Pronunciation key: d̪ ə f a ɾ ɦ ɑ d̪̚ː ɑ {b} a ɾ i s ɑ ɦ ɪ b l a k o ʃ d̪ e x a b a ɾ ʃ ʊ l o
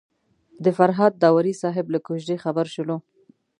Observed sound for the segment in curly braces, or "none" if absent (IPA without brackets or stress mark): w